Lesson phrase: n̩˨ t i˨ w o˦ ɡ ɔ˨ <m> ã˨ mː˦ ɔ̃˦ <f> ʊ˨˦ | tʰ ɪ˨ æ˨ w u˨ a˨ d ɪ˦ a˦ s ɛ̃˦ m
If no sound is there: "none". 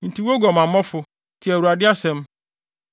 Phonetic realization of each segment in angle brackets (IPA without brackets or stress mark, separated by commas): m, f